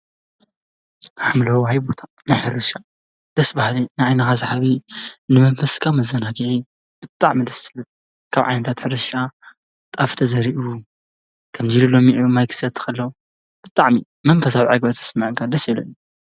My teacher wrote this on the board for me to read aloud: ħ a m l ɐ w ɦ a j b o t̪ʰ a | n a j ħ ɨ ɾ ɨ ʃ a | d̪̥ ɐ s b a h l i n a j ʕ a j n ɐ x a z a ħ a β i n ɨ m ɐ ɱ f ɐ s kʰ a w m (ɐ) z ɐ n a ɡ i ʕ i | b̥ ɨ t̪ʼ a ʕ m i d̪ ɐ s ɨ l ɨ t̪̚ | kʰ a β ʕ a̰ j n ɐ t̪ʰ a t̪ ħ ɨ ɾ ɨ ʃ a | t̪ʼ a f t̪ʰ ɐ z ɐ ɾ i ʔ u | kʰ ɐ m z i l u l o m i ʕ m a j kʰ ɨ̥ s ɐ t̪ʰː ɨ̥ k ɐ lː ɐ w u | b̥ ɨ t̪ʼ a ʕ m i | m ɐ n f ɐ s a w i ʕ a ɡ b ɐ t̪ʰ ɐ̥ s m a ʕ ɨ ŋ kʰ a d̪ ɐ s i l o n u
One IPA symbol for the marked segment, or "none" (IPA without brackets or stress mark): ɐ